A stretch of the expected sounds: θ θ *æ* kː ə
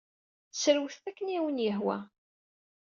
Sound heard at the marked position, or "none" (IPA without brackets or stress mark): æ